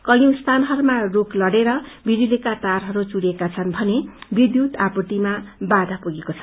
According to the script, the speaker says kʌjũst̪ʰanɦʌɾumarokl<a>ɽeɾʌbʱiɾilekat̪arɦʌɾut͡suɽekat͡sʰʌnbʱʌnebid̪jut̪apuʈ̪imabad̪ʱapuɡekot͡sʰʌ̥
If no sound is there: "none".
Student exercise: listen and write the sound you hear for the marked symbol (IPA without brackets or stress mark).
ʌ